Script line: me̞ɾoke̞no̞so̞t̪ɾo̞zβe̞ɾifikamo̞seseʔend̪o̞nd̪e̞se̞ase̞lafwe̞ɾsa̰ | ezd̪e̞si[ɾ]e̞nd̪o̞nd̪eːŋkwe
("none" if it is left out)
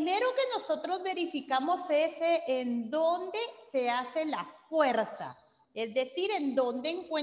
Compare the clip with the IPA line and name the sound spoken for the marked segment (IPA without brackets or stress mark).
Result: ɾ